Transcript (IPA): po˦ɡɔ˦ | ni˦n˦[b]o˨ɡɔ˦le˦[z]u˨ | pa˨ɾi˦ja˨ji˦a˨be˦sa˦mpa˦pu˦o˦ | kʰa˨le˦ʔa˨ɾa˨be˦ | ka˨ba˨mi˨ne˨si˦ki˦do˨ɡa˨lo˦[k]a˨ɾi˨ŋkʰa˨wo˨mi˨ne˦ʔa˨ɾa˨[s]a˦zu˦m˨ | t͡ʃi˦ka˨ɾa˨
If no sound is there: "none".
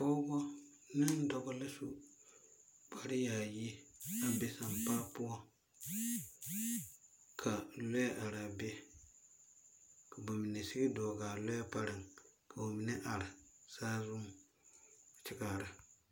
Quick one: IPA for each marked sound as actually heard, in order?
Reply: d, s, p, s

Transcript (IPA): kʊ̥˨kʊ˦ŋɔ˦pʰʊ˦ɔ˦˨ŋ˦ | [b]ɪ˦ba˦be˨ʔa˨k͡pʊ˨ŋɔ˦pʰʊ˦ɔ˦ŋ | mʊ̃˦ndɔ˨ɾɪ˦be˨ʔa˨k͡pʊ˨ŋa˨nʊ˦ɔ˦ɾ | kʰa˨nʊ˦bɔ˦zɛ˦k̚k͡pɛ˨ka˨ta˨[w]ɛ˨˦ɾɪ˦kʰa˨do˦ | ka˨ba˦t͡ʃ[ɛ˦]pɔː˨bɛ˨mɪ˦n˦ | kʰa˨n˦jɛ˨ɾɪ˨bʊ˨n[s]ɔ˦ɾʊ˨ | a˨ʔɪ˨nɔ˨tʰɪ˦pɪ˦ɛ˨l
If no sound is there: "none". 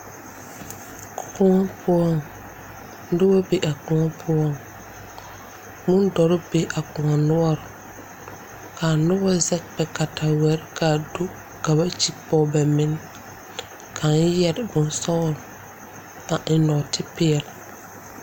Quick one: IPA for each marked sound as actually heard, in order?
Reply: d, w, i˦, s

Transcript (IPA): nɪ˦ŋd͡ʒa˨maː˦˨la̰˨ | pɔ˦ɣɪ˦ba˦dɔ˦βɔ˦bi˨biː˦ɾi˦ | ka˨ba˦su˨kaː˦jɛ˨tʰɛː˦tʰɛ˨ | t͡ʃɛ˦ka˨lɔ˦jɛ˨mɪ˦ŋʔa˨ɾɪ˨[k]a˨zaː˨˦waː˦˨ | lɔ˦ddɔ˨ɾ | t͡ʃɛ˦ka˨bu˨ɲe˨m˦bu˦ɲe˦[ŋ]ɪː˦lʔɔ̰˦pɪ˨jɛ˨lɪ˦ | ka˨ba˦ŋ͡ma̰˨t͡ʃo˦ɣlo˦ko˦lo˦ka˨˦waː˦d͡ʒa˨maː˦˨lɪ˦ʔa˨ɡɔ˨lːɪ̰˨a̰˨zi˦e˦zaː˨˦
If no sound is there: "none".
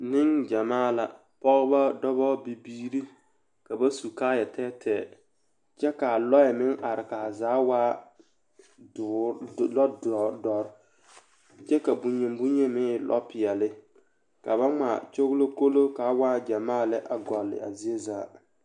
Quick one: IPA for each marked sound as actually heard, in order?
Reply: k, m

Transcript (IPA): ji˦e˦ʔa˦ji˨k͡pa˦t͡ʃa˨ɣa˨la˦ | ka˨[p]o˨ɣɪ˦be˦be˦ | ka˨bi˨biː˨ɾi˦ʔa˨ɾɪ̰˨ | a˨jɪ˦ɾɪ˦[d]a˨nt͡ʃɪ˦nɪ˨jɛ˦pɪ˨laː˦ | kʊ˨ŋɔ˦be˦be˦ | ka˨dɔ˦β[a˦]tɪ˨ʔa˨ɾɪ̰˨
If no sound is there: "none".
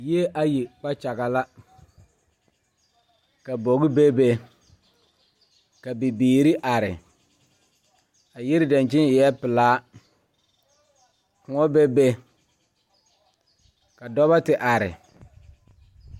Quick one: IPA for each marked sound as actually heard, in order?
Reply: b, d, a˦

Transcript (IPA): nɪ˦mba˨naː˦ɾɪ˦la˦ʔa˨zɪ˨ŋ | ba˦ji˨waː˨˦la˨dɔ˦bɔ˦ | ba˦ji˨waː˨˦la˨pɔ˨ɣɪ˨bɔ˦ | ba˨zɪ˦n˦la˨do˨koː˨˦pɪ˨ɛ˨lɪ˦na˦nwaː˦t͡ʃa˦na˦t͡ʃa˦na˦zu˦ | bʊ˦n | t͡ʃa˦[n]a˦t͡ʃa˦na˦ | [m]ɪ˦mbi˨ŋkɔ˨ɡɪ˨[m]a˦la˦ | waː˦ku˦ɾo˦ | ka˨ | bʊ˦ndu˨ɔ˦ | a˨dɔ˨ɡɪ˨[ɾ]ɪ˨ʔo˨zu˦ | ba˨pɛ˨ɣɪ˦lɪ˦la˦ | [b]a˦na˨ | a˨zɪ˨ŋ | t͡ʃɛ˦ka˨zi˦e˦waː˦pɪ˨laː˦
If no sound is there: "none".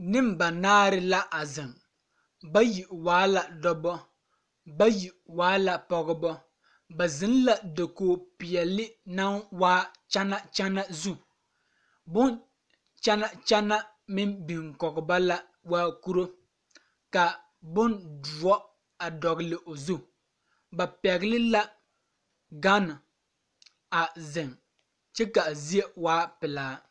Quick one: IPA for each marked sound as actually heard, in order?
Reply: n, m, b, l, ɡ

